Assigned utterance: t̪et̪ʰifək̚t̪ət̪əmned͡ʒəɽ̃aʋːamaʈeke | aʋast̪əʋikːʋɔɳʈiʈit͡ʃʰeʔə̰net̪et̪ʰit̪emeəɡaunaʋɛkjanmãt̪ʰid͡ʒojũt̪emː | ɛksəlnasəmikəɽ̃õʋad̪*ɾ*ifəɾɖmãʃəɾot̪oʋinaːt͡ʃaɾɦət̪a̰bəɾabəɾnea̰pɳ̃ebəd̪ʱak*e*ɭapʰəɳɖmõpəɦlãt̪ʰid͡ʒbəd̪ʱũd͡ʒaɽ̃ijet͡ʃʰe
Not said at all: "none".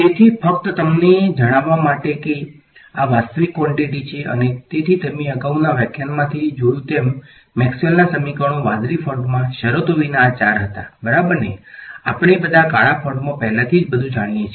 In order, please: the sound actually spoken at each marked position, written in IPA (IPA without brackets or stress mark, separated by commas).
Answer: ɾ, a